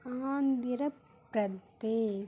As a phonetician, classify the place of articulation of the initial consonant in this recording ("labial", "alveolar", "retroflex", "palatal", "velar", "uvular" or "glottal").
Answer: alveolar